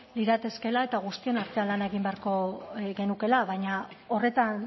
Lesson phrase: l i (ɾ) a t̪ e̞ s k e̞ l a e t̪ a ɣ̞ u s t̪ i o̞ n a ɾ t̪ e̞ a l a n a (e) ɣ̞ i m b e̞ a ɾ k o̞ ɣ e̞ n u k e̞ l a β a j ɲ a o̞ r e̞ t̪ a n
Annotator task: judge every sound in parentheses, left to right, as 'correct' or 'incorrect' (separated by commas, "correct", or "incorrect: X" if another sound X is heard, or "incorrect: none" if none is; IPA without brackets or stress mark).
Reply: correct, correct